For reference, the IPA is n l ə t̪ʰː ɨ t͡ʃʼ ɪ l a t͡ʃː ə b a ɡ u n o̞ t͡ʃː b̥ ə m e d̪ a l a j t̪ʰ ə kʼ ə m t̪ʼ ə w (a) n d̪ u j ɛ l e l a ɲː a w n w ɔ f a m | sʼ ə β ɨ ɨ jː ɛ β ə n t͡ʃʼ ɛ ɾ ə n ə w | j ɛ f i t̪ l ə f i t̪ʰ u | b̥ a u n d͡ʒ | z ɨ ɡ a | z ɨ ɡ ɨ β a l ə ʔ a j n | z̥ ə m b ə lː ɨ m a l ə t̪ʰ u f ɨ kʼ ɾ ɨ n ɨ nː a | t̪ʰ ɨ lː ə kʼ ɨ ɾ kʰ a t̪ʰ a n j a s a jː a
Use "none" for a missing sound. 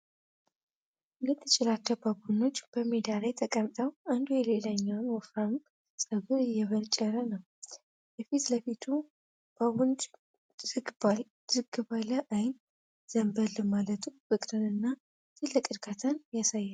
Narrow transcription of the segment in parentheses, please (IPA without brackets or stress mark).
a